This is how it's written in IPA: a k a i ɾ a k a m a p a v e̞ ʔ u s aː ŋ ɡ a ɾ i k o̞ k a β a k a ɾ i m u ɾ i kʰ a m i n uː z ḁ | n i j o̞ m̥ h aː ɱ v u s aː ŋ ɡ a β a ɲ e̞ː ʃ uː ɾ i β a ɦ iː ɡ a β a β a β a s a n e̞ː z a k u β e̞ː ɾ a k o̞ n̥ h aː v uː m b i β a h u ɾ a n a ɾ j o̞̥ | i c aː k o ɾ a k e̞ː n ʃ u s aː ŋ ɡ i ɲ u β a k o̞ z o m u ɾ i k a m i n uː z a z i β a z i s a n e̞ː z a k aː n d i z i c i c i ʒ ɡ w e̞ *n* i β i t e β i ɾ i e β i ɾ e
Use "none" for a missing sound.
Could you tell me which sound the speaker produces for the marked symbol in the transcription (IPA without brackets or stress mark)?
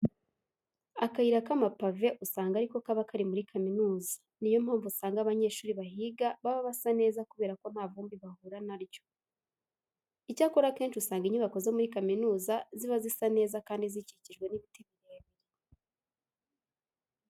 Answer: n